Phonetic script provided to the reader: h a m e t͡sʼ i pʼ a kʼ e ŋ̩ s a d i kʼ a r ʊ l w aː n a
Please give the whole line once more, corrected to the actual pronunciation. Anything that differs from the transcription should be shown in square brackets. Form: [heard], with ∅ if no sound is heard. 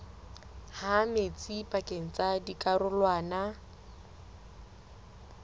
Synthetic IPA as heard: h a m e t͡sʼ i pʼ a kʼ e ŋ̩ [t͡s] a d i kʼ a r ʊ l w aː n a